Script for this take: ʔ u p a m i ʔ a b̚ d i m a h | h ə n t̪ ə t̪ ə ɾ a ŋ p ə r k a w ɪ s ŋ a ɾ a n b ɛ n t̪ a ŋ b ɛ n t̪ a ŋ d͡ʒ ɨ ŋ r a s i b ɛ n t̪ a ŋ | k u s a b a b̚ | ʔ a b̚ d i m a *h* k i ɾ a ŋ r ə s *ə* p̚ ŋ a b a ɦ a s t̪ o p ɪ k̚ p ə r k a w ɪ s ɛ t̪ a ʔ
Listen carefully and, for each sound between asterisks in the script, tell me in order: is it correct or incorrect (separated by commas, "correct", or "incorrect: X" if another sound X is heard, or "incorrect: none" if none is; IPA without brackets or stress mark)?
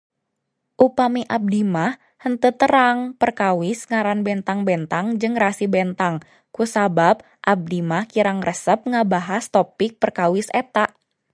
correct, correct